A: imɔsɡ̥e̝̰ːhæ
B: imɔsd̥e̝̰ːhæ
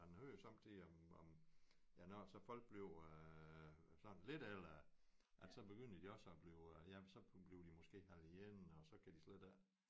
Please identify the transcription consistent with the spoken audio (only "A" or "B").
A